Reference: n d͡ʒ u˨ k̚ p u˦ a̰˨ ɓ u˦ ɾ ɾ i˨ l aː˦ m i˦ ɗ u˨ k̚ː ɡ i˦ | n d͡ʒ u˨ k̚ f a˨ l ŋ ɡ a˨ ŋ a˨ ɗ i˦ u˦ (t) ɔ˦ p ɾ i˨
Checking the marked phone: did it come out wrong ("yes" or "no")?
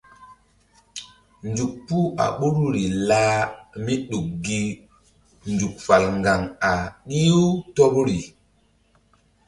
no